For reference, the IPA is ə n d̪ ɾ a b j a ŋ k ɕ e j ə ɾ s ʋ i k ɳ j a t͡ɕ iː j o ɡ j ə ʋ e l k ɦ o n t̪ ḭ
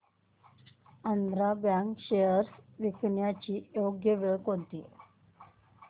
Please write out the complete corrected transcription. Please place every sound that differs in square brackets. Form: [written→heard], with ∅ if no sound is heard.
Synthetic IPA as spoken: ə n d̪ ɾ a b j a ŋ k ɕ e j ə ɾ s ʋ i k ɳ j a t͡ɕ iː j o ɡ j ə ʋ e [l→ɭ] k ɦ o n t̪ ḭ